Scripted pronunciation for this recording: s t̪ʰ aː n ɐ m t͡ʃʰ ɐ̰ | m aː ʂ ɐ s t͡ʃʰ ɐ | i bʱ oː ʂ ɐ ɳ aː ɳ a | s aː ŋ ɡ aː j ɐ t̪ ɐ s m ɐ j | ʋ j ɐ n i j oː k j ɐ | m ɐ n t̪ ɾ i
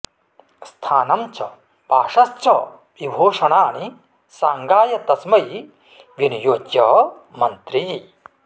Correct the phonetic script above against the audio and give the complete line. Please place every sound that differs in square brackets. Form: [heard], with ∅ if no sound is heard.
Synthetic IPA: s t̪ʰ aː n ɐ m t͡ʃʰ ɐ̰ | [b] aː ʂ ɐ s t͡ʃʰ ɐ | i bʱ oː ʂ ɐ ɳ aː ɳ [i] | s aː ŋ ɡ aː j ɐ t̪ ɐ s m ɐ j | ʋ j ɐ n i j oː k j ɐ | m ɐ n t̪ ɾ i